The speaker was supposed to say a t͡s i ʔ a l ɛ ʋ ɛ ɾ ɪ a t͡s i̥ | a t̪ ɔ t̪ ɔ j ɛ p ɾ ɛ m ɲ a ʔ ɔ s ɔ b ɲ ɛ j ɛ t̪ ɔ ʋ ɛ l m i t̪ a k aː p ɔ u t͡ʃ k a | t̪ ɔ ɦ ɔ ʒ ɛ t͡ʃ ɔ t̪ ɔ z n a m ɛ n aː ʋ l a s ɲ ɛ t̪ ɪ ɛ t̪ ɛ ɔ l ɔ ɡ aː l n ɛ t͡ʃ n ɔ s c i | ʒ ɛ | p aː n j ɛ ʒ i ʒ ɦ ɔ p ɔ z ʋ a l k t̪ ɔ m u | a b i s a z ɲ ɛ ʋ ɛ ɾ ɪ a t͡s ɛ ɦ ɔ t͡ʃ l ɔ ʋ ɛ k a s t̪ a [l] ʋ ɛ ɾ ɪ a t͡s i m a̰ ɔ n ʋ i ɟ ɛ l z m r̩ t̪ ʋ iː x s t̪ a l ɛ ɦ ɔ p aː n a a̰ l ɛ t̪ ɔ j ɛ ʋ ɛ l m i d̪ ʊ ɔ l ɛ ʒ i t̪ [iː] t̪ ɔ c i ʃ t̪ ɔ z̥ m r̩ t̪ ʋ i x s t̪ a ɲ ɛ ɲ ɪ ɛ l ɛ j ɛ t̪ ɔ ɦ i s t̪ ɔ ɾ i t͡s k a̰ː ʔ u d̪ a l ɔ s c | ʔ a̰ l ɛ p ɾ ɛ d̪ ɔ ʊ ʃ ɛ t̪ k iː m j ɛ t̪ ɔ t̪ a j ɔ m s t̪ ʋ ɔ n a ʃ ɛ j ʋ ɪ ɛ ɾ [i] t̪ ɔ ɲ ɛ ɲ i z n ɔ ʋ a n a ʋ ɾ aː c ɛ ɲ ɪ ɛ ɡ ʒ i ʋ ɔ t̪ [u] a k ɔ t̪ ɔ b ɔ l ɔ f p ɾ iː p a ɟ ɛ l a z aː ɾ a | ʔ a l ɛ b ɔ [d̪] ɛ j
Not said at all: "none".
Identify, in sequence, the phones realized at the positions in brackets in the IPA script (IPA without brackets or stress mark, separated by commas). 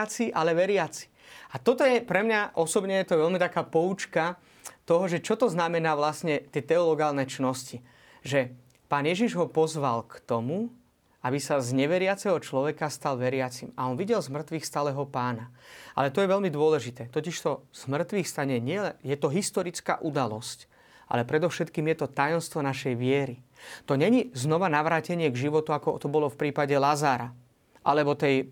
l, ɛː, i, u, t̪